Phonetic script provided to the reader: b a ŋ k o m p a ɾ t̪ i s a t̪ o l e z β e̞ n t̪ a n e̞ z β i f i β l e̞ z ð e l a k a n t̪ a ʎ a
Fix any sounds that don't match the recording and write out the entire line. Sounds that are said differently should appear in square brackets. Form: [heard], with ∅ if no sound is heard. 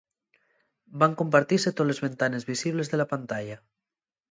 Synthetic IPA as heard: b a ŋ k o m p a ɾ t̪ i s [e] t̪ o l e z β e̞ n t̪ a n e̞ z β i [s] i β l e̞ z ð e l a [p] a n t̪ a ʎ a